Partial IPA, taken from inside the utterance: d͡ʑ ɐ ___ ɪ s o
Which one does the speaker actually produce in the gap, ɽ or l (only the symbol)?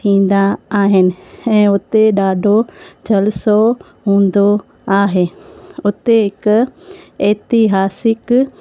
l